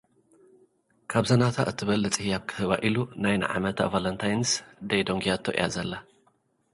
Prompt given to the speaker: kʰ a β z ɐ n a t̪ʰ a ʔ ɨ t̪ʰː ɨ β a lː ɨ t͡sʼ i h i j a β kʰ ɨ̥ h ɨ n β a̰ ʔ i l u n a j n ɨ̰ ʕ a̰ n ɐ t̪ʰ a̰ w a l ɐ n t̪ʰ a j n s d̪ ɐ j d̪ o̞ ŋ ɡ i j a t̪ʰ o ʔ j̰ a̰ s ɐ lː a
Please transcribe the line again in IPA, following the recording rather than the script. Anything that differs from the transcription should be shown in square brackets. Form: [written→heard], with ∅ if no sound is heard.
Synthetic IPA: kʰ a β z ɐ n a t̪ʰ a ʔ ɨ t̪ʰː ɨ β [a→ɐ] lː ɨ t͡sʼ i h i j a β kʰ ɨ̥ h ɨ [n→∅] β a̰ ʔ i l u n a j n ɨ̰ ʕ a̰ [n→m] ɐ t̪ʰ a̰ [w→v] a l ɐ n t̪ʰ a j n s d̪ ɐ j d̪ o̞ ŋ ɡ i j a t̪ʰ o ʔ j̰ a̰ [s→z] ɐ lː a